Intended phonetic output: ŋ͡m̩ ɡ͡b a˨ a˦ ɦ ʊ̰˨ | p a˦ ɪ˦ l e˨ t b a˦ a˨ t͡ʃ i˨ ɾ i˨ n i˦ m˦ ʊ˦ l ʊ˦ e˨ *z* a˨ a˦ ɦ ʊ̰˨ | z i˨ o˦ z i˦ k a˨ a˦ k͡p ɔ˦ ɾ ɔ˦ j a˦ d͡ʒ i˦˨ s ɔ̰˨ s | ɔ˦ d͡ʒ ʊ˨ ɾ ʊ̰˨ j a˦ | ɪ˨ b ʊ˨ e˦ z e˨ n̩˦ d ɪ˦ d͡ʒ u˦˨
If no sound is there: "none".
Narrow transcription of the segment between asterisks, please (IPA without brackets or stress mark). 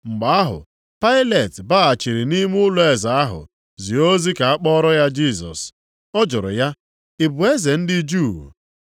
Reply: z